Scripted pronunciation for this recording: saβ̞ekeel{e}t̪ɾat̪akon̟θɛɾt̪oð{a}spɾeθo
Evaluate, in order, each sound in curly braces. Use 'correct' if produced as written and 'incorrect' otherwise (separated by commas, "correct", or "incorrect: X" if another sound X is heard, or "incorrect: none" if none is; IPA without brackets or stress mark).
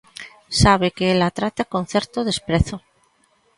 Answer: incorrect: a, incorrect: e